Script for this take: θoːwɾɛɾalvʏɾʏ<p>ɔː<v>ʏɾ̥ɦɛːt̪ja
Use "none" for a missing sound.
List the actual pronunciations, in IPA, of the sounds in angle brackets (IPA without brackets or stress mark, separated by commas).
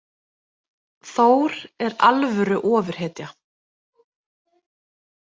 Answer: ʔ, v